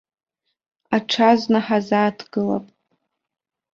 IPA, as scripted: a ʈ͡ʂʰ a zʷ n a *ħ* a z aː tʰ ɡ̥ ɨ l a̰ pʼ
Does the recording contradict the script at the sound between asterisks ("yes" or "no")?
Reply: no